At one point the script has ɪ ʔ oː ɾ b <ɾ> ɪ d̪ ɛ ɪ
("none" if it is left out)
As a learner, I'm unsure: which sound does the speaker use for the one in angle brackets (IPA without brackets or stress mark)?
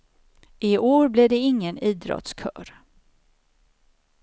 l